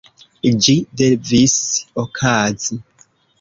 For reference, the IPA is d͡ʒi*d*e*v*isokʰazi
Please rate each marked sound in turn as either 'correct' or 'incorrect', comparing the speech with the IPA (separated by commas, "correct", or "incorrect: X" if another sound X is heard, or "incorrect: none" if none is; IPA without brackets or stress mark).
correct, correct